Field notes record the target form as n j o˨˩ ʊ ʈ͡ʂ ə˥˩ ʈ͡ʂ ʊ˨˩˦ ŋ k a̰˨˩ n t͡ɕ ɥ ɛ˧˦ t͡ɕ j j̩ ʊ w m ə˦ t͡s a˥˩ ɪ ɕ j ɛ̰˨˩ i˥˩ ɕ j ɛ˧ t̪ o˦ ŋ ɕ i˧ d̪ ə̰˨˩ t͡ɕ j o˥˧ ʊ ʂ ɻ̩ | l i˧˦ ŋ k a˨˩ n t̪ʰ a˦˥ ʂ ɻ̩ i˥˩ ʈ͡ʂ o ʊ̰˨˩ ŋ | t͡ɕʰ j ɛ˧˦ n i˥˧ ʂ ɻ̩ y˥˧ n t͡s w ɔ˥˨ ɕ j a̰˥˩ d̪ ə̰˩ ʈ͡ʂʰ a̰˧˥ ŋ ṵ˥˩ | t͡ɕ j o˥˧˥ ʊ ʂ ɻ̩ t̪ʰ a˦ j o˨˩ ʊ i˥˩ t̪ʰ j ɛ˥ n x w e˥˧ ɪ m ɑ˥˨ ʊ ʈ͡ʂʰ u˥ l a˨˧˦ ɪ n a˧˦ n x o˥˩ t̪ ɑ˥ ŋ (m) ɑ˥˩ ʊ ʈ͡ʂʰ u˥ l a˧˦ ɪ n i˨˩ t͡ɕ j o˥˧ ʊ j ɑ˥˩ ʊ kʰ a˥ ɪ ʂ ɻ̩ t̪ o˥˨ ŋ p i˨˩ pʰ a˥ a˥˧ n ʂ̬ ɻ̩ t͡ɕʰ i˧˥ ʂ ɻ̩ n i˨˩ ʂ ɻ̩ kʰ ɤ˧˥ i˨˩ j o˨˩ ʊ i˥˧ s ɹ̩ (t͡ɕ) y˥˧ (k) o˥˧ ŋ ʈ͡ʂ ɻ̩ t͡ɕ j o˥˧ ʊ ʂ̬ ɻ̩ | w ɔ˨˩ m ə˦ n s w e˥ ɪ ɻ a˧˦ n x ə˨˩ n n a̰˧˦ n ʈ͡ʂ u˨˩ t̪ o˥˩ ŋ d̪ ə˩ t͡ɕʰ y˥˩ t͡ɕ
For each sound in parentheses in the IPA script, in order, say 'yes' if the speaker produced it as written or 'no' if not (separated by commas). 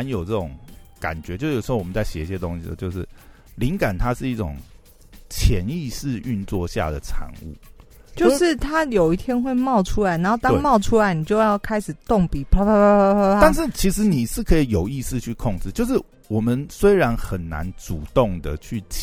yes, no, no